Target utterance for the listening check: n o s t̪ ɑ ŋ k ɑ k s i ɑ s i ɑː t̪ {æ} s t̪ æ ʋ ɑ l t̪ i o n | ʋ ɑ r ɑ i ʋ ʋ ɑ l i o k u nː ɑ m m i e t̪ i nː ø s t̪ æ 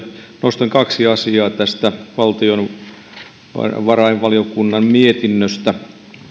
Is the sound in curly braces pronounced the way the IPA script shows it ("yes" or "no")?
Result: yes